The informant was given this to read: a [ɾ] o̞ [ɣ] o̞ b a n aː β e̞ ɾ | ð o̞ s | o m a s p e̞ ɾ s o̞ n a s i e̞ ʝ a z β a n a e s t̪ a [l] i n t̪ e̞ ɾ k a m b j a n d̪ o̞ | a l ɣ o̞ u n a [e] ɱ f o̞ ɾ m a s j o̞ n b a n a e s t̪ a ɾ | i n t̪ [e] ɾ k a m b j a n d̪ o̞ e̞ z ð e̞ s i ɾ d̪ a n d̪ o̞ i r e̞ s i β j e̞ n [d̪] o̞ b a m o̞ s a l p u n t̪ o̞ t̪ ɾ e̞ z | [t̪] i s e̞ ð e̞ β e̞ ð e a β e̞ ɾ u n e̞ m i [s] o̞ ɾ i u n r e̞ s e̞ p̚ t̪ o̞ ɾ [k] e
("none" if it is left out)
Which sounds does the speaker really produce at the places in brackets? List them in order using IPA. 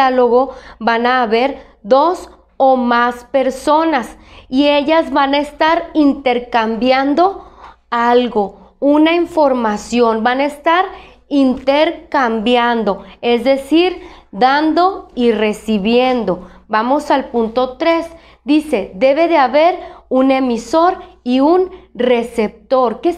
l, ɣ, ɾ, i, e, d̪, d̪, s, k

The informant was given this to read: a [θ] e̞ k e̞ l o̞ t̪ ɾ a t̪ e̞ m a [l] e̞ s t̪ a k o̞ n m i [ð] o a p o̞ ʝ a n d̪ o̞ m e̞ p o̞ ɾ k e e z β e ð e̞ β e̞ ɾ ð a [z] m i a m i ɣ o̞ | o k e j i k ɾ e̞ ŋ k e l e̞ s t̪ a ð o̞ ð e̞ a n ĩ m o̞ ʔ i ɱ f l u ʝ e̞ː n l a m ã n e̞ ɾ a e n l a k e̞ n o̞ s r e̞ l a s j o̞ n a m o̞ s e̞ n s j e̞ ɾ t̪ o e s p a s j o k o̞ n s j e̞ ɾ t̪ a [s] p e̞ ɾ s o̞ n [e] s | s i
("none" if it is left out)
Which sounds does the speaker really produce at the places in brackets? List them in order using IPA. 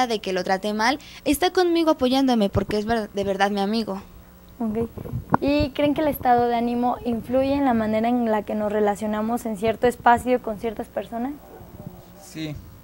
ð, l, ɣ, ð, s, a

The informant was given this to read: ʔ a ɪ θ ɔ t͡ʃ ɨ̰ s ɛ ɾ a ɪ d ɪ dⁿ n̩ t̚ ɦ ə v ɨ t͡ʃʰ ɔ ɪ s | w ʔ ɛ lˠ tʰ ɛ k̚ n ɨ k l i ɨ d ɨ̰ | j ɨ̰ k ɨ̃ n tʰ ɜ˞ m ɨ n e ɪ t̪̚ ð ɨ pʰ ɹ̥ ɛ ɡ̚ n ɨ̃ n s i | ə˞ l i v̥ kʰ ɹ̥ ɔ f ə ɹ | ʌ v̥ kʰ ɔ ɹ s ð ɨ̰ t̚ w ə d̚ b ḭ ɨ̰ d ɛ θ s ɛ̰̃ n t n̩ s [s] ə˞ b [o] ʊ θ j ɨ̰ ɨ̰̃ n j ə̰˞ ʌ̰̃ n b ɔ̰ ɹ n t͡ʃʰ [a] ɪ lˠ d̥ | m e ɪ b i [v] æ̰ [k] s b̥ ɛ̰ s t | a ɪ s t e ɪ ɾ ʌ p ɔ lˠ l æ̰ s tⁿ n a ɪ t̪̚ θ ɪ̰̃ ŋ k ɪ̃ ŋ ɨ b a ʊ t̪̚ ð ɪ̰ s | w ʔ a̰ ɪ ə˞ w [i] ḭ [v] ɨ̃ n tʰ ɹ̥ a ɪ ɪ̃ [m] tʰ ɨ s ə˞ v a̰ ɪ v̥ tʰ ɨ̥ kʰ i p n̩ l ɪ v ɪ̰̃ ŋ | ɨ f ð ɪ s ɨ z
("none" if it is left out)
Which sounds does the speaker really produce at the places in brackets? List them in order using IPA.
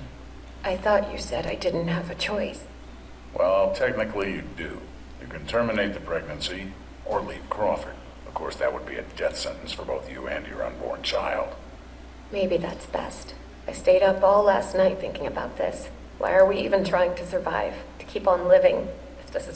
f, o, a, ð, t, i, v, ŋ

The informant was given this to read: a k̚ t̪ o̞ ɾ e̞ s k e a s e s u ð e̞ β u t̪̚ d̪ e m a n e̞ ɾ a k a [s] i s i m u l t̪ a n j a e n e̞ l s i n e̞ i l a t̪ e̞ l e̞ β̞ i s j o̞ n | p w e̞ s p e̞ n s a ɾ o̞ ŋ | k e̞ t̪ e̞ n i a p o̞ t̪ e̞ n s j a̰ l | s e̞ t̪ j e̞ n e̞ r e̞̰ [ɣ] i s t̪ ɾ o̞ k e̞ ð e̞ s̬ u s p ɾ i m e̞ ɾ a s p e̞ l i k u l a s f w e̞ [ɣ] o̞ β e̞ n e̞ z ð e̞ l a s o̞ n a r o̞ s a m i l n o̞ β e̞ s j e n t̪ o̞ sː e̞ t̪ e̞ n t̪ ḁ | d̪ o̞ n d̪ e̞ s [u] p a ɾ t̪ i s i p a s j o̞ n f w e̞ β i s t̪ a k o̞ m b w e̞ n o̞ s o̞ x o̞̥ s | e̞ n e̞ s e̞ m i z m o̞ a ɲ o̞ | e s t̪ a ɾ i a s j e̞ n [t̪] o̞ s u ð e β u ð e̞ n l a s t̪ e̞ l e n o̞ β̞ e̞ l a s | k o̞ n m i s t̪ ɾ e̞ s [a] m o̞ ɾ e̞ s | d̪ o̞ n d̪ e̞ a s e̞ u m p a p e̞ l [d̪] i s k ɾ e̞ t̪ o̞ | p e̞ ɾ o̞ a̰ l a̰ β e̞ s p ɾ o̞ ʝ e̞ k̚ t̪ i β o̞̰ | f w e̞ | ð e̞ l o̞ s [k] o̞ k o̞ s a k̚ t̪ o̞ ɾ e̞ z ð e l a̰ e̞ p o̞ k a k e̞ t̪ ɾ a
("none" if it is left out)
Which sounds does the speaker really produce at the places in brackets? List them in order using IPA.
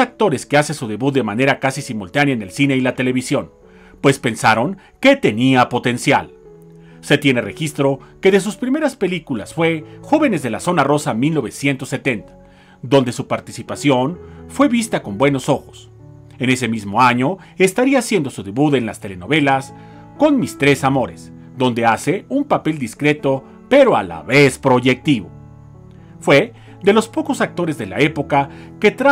s, x, x, u, d̪, a, d̪, p

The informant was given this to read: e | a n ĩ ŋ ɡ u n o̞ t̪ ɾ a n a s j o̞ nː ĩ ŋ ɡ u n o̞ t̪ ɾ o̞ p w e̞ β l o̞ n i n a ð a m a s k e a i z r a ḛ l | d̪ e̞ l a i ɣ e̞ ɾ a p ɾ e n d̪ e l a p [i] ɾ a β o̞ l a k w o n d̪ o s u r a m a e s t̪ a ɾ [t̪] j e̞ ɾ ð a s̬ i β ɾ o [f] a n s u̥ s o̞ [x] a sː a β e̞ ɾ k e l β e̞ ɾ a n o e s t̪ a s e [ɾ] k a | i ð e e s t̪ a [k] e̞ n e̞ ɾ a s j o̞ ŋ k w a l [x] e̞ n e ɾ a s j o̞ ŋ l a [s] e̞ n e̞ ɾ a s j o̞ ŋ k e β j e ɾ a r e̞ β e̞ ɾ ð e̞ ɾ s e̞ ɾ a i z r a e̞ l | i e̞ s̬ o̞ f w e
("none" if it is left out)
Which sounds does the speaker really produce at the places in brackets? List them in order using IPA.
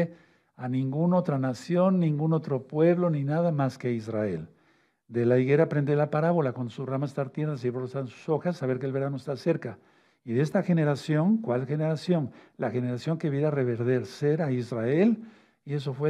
a, t̪, s, x, ɾ, x, x, x

